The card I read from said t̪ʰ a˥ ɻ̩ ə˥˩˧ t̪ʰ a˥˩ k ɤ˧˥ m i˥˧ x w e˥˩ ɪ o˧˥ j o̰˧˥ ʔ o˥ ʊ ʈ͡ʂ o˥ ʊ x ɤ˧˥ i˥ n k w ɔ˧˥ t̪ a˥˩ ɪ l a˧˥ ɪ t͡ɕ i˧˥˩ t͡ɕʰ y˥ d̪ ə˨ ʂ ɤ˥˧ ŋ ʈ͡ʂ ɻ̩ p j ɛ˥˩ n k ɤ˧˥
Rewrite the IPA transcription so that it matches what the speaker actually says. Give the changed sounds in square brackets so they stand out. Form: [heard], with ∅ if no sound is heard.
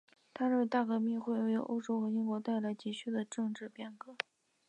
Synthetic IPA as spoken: t̪ʰ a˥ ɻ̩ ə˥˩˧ [t̪] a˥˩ k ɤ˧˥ m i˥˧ x w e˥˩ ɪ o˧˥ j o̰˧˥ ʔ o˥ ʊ ʈ͡ʂ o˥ ʊ x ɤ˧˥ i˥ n k w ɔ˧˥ t̪ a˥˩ ɪ l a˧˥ ɪ t͡ɕ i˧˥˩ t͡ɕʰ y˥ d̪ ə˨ [ʈ͡ʂ] ɤ˥˧ ŋ ʈ͡ʂ ɻ̩ p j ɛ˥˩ n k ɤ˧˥